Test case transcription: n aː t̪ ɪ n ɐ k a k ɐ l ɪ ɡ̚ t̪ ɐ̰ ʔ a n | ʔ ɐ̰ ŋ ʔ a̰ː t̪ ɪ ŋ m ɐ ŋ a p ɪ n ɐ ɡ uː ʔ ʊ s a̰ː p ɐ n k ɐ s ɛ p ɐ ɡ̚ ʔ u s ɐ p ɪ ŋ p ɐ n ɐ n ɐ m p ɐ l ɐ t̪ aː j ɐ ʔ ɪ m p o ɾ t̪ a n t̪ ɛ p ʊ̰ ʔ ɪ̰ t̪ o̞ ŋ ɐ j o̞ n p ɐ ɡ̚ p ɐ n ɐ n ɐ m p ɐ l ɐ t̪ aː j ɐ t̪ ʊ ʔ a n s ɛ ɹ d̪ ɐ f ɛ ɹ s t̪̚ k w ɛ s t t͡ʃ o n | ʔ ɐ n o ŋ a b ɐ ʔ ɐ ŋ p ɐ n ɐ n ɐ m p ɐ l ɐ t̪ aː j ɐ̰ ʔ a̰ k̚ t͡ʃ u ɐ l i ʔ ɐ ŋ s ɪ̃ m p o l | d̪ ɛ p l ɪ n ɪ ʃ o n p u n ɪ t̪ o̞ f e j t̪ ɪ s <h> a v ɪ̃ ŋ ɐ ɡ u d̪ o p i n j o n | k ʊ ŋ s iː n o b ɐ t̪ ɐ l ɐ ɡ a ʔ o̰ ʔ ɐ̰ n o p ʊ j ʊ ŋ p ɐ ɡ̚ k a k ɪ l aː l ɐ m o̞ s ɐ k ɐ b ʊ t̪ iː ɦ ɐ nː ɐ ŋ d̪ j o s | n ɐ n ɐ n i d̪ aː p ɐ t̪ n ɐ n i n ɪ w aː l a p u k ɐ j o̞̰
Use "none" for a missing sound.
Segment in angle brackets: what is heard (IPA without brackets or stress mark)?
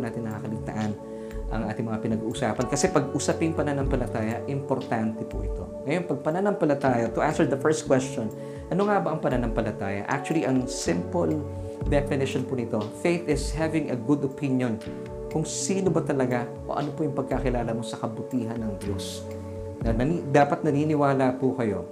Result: h